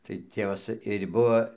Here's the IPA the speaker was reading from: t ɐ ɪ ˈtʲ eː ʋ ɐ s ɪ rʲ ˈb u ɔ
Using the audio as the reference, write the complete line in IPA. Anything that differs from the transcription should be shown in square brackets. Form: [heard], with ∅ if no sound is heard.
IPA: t ɐ ɪ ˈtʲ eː ʋ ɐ s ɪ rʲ ˈb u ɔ